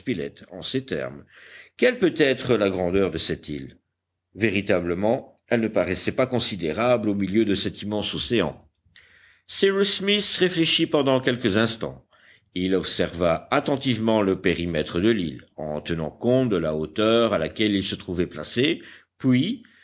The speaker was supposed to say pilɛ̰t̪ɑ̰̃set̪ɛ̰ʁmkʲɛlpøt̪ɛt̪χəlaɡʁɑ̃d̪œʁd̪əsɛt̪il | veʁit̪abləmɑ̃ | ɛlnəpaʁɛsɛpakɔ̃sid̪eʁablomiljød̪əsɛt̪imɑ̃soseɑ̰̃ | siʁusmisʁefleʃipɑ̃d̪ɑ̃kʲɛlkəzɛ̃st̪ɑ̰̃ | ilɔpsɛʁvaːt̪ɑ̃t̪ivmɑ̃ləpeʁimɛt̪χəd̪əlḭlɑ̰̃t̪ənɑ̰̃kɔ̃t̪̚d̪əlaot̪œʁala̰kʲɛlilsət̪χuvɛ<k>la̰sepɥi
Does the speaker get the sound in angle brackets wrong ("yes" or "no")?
yes